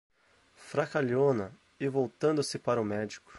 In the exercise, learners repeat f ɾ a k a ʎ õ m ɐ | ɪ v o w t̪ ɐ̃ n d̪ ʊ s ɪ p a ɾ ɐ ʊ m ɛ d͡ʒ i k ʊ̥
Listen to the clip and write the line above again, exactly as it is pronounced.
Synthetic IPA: f ɾ a k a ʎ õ n ɐ | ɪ v o w t̪ ɐ̃ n d̪ ʊ s ɪ p a ɾ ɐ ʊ m ɛ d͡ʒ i k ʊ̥